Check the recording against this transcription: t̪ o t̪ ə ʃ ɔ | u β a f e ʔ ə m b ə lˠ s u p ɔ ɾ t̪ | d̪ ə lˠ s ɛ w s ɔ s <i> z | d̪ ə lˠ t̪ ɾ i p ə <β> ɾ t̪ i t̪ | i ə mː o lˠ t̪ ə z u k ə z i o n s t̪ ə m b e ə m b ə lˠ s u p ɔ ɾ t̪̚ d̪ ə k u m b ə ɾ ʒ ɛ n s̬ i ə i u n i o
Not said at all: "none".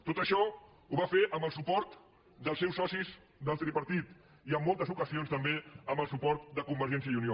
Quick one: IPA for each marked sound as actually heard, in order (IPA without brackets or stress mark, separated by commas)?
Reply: i, none